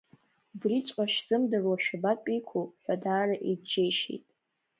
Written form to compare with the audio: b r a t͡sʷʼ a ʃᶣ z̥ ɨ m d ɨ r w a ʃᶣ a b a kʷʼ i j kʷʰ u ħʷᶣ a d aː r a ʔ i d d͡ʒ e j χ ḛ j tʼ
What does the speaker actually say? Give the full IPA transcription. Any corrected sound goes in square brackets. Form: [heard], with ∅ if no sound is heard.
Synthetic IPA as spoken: b r [i] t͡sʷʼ a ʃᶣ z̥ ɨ m d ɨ r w a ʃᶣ a b a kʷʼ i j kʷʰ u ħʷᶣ a d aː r a ʔ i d d͡ʒ e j [ʃ] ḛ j tʼ